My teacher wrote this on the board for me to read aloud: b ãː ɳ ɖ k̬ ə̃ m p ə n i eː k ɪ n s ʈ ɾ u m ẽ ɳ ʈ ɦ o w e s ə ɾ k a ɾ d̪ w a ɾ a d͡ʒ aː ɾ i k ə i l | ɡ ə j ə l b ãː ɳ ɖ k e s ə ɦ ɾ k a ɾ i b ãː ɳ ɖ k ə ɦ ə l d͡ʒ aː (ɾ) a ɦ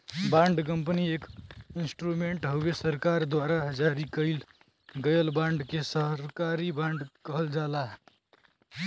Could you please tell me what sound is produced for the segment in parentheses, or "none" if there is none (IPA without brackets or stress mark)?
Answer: l